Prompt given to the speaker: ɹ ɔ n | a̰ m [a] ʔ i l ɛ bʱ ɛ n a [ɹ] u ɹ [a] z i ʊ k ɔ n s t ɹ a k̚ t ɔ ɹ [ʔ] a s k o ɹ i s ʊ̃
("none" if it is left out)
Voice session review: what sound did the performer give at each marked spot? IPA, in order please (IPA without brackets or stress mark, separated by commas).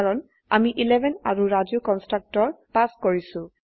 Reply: i, ɹ, a, p